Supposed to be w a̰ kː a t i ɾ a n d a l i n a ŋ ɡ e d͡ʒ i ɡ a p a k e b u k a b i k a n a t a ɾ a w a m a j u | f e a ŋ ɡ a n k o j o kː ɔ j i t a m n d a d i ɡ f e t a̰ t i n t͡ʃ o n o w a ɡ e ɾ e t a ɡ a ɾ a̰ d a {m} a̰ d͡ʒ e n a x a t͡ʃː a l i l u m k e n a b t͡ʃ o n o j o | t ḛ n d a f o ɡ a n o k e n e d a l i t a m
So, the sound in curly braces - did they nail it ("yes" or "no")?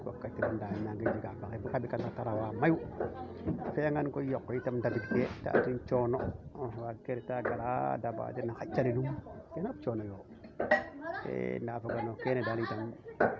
no